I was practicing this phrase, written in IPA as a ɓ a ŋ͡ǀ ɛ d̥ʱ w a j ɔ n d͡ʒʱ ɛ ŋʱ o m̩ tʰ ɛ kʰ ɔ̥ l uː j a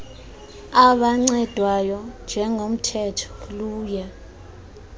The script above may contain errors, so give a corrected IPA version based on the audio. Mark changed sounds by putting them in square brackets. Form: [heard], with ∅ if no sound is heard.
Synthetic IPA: a ɓ a ŋ͡ǀ ɛ d̥ʱ w a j ɔ n d͡ʒʱ ɛ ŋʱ o m̩ tʰ ɛ [tʰ] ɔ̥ l uː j a